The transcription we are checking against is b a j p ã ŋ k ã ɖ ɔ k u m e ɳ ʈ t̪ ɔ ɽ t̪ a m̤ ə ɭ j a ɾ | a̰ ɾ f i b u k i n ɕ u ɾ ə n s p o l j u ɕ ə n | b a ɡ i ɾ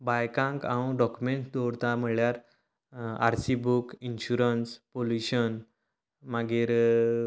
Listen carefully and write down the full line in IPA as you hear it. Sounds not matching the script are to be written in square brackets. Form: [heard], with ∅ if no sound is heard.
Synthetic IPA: b a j [k] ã ŋ k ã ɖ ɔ k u m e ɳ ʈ [d̪] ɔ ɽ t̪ a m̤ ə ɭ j a ɾ | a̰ ɾ [s] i b u k i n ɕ u ɾ ə n s p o l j u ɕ ə n | [m] a ɡ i ɾ

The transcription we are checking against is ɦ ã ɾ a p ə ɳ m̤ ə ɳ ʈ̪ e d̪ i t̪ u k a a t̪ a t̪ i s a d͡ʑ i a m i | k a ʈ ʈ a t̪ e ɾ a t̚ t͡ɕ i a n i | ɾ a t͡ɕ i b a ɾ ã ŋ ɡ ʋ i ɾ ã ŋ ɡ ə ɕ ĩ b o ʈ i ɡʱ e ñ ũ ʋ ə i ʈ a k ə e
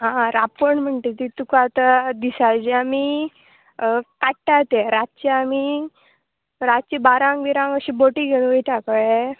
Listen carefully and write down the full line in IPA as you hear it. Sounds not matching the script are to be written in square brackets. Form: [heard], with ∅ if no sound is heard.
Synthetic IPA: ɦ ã ɾ a p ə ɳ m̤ ə ɳ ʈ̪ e [t̪] i t̪ u k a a t̪ a [d̪] i s a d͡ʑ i a m i | k a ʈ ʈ a t̪ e ɾ a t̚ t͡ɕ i a [m] i | ɾ a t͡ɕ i b a ɾ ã ŋ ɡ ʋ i ɾ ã ŋ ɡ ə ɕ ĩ b o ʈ i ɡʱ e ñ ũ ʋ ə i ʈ a k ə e

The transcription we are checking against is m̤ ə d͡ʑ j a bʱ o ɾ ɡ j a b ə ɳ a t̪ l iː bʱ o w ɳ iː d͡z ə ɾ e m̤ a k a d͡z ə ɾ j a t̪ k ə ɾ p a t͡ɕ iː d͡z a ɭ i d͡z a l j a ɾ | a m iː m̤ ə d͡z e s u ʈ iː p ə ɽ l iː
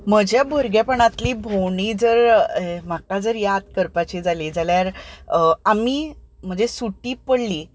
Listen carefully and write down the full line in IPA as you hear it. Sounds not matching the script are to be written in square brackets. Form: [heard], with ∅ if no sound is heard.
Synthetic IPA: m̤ ə d͡ʑ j a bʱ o ɾ ɡ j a [p] ə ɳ a t̪ l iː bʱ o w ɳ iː d͡z ə ɾ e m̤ a k a d͡z ə ɾ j a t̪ k ə ɾ p a t͡ɕ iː d͡z a [l] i d͡z a l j a ɾ | a m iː m̤ ə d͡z e s u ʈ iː p ə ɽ l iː

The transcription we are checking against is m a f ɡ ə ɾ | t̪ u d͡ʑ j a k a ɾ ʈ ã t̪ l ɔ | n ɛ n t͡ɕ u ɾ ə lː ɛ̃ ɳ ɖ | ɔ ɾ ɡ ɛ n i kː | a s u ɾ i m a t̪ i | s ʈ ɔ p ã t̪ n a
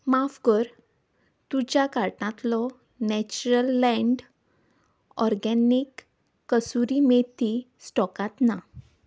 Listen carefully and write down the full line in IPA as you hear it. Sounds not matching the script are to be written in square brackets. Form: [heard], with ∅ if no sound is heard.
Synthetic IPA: m a f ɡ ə ɾ | t̪ u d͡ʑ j a k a ɾ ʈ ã t̪ l ɔ | n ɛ [∅] t͡ɕ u ɾ ə lː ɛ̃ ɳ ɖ | ɔ ɾ ɡ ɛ n i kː | [ə] s u ɾ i m [e] t̪ i | s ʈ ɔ [k] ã t̪ n a

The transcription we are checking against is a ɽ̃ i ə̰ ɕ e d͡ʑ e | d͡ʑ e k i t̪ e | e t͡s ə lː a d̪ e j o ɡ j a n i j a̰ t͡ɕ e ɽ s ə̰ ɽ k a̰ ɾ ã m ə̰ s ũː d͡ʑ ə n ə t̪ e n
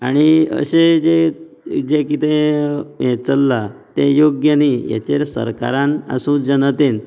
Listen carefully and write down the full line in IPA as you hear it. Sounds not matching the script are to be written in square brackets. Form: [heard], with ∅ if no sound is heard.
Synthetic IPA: a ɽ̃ i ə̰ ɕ e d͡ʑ e | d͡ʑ e k i t̪ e | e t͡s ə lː a [t̪] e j o ɡ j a n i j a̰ t͡ɕ e [ɾ] s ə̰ [ɾ] k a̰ ɾ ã [n] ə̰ s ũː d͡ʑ ə n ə t̪ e n

